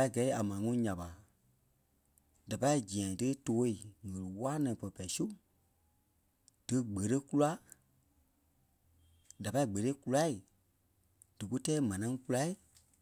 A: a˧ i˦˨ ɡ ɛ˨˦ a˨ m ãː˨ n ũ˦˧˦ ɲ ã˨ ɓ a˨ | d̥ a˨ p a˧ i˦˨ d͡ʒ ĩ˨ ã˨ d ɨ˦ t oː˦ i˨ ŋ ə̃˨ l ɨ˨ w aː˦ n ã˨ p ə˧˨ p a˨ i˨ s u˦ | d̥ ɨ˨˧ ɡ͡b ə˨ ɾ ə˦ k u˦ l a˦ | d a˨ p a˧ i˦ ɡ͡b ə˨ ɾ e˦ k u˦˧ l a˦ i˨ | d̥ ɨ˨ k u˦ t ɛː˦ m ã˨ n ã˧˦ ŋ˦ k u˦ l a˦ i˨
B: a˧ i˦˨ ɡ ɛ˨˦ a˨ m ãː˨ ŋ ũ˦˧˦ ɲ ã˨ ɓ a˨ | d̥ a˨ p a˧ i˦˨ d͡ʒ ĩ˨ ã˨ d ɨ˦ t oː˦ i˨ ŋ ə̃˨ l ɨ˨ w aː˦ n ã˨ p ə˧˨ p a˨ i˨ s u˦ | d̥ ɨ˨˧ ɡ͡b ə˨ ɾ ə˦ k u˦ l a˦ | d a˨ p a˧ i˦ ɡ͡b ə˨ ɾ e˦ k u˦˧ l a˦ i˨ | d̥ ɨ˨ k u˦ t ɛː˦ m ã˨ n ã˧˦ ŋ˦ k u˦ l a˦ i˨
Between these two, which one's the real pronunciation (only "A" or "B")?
B